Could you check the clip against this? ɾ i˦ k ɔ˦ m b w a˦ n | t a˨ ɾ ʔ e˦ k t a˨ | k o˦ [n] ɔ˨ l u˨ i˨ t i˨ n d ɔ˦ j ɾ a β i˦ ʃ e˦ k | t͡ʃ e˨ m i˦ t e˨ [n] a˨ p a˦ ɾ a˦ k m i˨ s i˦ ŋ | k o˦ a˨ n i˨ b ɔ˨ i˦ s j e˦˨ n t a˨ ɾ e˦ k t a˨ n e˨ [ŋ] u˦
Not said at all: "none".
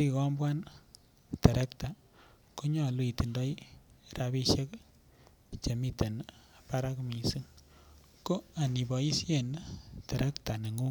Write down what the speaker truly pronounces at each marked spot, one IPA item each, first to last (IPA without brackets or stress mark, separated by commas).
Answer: ɲ, n, ŋ